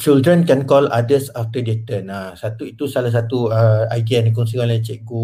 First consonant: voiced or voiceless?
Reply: voiceless